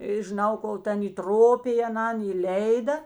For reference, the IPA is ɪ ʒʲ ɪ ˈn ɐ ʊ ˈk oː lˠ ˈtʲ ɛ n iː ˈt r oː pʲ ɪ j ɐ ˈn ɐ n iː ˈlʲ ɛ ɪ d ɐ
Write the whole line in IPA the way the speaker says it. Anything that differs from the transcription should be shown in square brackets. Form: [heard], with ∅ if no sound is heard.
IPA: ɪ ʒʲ ɪ ˈn ɐ ʊ ˈk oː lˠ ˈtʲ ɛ n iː ˈt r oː pʲ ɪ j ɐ ˈn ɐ n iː ˈlʲ ɛ ɪ d ɐ